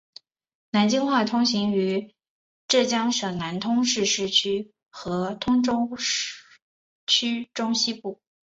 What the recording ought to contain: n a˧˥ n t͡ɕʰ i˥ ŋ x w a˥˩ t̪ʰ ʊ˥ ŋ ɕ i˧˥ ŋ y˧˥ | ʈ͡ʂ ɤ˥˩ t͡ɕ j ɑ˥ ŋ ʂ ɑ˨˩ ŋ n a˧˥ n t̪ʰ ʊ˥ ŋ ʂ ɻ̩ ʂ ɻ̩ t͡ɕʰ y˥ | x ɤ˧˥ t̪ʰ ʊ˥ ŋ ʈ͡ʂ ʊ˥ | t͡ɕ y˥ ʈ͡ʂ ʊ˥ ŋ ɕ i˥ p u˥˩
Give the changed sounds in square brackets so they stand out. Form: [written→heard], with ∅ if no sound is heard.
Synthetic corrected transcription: n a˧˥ n [t͡ɕʰ→t͡ɕ] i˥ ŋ x w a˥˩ t̪ʰ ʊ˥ ŋ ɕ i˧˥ ŋ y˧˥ | ʈ͡ʂ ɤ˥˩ t͡ɕ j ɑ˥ ŋ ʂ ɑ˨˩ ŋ n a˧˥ n t̪ʰ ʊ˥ ŋ ʂ ɻ̩ ʂ ɻ̩ t͡ɕʰ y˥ | x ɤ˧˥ t̪ʰ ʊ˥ ŋ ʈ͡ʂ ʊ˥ | [t͡ɕ→t͡ɕʰ] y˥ ʈ͡ʂ ʊ˥ ŋ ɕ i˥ p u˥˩

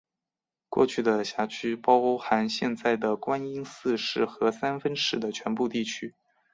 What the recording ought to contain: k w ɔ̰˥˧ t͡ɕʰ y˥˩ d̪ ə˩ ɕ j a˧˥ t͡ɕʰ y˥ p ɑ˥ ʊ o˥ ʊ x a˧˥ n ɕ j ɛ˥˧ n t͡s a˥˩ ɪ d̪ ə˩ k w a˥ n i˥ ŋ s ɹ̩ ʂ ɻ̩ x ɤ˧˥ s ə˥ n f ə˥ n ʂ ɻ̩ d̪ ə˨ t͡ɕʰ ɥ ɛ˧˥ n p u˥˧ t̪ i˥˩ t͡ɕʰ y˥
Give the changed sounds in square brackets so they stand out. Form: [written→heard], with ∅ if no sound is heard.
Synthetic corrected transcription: k w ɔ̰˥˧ t͡ɕʰ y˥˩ d̪ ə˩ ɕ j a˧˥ t͡ɕʰ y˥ p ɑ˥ ʊ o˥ ʊ x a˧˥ n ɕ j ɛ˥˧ n t͡s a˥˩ ɪ d̪ ə˩ k w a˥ n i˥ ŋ s ɹ̩ ʂ ɻ̩ x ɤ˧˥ s [ə˥→a˥] n f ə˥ n ʂ ɻ̩ d̪ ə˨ t͡ɕʰ ɥ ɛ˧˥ n p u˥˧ t̪ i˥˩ t͡ɕʰ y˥

